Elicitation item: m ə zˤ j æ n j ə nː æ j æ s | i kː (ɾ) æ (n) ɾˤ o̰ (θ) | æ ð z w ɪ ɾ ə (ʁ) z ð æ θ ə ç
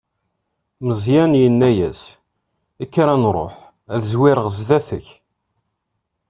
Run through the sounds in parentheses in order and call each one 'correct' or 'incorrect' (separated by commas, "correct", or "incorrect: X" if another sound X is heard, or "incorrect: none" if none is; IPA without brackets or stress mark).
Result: correct, correct, incorrect: ħ, correct